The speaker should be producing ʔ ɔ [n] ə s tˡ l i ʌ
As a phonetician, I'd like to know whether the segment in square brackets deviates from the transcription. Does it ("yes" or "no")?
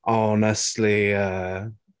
no